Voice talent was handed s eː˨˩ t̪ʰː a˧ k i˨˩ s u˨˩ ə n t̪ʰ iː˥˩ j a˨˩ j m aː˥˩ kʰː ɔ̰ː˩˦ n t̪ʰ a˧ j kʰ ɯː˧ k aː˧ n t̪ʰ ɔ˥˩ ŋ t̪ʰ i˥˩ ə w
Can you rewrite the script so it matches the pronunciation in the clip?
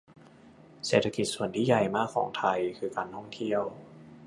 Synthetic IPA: s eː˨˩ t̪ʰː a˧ k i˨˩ s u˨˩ ə n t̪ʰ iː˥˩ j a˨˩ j m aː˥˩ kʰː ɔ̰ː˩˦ ŋ t̪ʰ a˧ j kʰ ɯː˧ k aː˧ n t̪ʰ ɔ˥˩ ŋ t̪ʰ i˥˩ ə w

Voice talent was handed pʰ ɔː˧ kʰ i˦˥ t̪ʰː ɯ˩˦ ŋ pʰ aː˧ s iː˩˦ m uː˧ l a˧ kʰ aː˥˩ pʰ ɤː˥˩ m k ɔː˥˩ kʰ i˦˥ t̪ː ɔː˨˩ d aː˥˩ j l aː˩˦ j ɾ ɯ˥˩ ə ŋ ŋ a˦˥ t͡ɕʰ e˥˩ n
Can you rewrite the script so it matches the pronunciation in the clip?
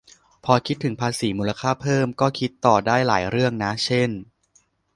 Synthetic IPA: pʰ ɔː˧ kʰ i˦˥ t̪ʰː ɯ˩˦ ŋ pʰ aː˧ s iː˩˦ m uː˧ l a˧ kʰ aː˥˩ pʰ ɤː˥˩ m k ɔː˥˩ kʰ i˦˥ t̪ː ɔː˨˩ d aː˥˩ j l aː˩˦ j ɾ ɯ˥˩ ə ŋ n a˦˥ t͡ɕʰ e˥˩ n

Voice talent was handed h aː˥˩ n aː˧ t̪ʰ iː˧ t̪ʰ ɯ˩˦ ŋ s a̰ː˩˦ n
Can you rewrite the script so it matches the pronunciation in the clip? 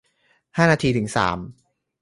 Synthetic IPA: h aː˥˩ n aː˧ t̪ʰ iː˧ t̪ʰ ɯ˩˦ ŋ s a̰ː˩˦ m

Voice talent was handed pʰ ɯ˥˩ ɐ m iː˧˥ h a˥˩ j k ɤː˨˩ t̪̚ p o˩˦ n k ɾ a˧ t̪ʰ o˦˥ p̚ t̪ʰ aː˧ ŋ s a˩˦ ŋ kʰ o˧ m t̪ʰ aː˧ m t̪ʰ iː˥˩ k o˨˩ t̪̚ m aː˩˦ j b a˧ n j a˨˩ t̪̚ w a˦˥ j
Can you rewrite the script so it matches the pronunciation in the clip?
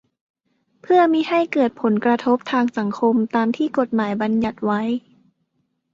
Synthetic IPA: pʰ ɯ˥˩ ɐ m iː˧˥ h a˥˩ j k ɤː˨˩ t̪̚ pʰ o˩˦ n k ɾ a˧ t̪ʰ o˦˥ p̚ t̪ʰ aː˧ ŋ s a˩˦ ŋ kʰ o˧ m t̪ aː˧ m t̪ʰ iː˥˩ k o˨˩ t̪̚ m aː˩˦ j b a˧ n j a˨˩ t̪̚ w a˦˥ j

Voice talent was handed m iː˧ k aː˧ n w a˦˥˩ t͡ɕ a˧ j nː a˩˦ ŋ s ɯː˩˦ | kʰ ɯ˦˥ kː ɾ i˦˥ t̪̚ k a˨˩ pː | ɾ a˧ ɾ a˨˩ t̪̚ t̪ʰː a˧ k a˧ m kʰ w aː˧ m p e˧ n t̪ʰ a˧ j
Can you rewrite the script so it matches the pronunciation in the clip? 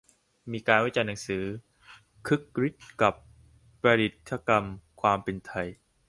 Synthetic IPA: m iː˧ k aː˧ n w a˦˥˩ t͡ɕ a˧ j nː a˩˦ ŋ s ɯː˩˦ | kʰ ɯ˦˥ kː ɾ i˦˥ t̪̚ k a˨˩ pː | ɾ a˧ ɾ i˨˩ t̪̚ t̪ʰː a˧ k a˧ m kʰ w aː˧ m p e˧ n t̪ʰ a˧ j

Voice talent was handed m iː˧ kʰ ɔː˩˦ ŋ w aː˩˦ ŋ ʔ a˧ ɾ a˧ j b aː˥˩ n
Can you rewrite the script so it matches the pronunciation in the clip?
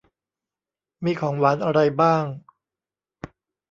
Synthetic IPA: m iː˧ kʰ ɔː˩˦ ŋ w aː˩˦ n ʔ a˧ ɾ a˧ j b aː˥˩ ŋ

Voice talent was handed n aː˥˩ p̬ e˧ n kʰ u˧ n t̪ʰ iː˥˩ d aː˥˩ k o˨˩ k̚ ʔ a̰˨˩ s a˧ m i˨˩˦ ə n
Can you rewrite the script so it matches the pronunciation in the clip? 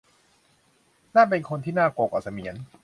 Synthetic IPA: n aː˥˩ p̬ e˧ n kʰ o˧ n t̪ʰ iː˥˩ n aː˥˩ k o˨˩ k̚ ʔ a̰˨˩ s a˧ m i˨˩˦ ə n

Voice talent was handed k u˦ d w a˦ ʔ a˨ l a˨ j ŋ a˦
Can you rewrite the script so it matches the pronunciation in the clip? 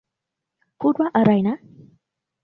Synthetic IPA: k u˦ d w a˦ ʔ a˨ ɾ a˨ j n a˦

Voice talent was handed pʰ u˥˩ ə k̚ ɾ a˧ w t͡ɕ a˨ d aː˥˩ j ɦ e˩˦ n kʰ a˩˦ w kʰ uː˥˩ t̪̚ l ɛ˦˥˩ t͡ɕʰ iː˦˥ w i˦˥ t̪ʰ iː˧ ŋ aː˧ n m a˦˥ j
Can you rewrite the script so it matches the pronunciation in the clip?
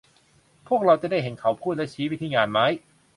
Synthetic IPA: pʰ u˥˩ ə k̚ ɾ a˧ w t͡ɕ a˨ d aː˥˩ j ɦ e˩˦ n kʰ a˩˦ w pʰ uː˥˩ t̪̚ l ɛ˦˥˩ t͡ɕʰ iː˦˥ w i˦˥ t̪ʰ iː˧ ŋ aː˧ n m a˦˥ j

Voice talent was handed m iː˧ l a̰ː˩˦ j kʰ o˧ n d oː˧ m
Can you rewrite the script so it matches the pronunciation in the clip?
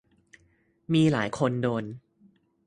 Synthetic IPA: m iː˧ l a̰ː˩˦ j kʰ o˧ n d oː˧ n

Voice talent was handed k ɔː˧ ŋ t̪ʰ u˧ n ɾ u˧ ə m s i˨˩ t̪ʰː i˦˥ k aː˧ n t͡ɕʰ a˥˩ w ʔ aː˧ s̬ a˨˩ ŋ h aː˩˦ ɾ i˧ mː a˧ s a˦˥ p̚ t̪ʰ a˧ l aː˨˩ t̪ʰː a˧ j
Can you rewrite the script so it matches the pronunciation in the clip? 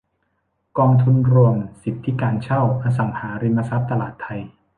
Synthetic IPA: k ɔː˧ ŋ t̪ʰ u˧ n ɾ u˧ ə m s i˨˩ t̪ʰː i˦˥ k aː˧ n t͡ɕʰ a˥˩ w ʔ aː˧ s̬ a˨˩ ŋ h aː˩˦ ɾ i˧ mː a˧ s a˦˥ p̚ t̪ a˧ l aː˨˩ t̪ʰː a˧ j

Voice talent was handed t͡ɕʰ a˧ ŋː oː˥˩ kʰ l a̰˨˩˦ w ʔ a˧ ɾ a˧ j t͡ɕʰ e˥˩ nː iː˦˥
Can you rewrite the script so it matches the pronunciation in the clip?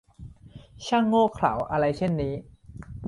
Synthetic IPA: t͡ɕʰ a˥˩ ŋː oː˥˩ kʰ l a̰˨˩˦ w ʔ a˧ ɾ a˧ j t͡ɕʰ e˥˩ nː iː˦˥

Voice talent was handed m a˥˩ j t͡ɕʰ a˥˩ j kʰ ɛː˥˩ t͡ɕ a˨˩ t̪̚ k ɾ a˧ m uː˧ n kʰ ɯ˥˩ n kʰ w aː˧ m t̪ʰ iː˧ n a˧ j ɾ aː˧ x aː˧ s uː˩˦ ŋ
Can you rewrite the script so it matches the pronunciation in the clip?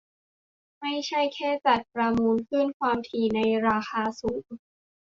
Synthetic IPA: m a˥˩ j t͡ɕʰ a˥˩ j kʰ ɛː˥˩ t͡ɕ a˨˩ t̪̚ p ɾ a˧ m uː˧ n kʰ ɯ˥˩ n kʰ w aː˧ m t̪ʰ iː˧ n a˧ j ɾ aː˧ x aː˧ s uː˩˦ ŋ

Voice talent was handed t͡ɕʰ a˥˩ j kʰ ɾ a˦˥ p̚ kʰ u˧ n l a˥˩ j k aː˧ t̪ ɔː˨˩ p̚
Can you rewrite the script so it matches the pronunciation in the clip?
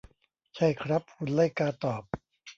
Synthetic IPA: t͡ɕʰ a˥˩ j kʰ ɾ a˦˥ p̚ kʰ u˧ n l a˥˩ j k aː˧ t̪ ɔː˨˩ p̚

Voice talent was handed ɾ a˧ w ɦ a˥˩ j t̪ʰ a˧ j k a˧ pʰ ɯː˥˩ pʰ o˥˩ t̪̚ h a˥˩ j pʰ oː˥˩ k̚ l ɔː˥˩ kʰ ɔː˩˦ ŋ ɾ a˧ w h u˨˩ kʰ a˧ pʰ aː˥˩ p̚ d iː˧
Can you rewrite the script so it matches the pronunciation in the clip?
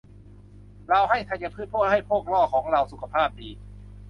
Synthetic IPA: ɾ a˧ w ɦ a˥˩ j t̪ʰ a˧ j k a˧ pʰ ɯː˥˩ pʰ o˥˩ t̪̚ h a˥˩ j pʰ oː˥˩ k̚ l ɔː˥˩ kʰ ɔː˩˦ ŋ ɾ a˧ w s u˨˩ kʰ a˧ pʰ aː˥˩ p̚ d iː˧

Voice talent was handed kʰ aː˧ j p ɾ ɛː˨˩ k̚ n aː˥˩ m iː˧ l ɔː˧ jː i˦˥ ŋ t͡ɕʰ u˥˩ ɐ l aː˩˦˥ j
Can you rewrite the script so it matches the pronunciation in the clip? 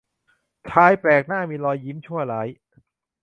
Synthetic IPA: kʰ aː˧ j p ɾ ɛː˨˩ k̚ n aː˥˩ m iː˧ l ɔː˧ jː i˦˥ m t͡ɕʰ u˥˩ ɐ l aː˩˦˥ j

